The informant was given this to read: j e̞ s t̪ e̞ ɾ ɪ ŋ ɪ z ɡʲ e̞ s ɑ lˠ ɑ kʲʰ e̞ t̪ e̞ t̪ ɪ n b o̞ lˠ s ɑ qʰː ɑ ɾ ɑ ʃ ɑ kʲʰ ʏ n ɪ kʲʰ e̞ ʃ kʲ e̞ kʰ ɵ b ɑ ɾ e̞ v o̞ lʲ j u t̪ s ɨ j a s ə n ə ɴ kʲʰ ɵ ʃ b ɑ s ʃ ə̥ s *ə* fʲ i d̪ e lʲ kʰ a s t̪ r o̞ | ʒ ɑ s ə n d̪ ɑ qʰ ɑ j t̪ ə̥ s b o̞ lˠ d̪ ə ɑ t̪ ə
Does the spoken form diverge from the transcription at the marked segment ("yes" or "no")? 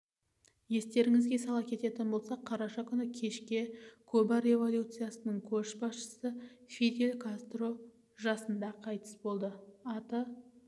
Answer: no